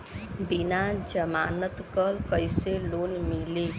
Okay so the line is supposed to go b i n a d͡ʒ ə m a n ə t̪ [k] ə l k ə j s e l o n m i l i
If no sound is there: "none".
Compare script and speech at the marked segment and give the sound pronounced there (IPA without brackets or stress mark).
k